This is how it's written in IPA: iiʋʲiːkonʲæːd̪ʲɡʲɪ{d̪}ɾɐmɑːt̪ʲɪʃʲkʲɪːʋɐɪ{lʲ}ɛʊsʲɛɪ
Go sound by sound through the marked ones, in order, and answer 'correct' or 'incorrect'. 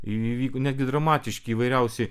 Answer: correct, incorrect

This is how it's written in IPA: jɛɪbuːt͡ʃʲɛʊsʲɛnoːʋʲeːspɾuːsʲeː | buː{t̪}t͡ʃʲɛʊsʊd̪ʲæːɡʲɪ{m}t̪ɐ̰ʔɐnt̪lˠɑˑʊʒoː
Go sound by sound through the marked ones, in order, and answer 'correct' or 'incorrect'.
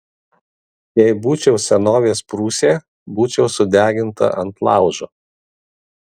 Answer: incorrect, incorrect

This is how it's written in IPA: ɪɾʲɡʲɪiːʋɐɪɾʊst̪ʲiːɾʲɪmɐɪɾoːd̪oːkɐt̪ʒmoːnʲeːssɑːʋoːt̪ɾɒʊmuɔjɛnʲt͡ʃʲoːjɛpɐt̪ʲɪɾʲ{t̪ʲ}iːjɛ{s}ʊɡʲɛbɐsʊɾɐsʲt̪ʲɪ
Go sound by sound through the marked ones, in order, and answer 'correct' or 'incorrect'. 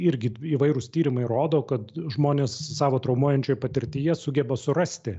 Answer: correct, correct

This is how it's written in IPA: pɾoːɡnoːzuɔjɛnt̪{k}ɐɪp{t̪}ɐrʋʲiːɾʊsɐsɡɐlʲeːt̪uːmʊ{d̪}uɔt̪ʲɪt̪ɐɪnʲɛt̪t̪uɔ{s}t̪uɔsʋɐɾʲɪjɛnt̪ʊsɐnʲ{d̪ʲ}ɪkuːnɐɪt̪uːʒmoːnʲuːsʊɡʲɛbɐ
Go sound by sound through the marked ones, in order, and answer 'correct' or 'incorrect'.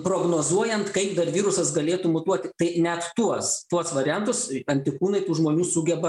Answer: correct, incorrect, incorrect, correct, incorrect

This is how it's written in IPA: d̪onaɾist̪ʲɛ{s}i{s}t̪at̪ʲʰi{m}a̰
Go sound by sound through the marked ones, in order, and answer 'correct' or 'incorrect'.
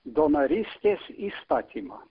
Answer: correct, correct, correct

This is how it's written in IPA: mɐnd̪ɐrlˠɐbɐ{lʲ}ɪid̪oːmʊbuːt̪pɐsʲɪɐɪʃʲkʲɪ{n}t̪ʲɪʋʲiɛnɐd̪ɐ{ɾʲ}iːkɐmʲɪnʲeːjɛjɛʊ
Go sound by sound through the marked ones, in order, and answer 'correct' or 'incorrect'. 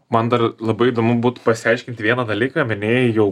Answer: incorrect, correct, incorrect

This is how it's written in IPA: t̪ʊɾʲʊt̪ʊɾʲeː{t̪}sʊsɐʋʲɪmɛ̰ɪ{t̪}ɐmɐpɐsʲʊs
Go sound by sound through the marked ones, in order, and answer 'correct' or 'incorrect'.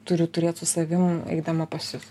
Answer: correct, incorrect

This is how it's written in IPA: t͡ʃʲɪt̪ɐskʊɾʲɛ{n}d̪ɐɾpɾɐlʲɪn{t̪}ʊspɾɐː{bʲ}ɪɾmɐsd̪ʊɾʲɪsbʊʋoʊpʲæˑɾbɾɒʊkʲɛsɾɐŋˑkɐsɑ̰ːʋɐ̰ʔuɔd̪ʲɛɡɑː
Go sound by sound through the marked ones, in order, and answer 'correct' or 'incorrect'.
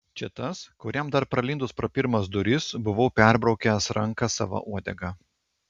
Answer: incorrect, incorrect, incorrect

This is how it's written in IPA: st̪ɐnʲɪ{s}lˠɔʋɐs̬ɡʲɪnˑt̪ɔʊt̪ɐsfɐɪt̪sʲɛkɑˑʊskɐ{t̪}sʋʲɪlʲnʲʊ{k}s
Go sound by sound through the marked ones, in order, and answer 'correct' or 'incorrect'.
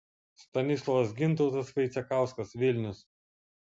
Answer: correct, incorrect, incorrect

